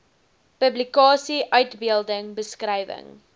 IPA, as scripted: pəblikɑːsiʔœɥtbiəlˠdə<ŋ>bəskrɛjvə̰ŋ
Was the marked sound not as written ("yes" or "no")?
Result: no